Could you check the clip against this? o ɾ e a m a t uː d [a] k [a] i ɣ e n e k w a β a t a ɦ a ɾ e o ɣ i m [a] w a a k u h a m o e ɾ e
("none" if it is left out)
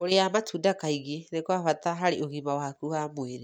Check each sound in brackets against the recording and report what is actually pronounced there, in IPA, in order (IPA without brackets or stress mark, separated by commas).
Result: a, a, a